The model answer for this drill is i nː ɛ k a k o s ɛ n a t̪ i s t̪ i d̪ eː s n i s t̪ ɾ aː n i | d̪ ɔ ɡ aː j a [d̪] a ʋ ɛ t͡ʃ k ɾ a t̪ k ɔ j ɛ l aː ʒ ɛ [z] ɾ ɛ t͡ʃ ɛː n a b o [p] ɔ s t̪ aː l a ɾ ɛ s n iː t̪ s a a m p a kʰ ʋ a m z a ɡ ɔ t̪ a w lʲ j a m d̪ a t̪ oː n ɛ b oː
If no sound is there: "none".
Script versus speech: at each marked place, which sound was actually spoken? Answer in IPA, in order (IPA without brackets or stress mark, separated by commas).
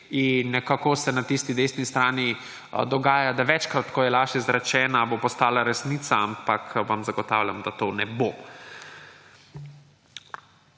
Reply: d̪, z, p